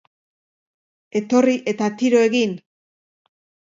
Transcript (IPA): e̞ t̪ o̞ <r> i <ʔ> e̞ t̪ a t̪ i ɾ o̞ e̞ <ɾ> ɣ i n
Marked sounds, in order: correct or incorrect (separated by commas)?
correct, correct, incorrect